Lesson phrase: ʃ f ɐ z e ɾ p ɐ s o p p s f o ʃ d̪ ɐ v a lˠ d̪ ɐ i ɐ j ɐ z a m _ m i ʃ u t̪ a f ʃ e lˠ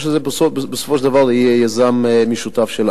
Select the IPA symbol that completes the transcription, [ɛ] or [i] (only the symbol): ɛ